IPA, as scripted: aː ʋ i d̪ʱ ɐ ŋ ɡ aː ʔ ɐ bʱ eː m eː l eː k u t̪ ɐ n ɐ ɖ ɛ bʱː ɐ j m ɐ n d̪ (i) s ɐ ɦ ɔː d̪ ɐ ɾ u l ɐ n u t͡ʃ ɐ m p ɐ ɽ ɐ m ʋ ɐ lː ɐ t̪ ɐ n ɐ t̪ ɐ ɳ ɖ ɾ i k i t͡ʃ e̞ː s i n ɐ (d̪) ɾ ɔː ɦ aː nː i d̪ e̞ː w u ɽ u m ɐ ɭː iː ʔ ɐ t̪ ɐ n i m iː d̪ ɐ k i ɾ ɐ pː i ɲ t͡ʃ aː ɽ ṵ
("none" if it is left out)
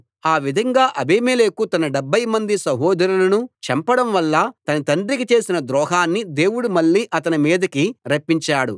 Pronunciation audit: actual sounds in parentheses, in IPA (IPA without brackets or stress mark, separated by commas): i, d̪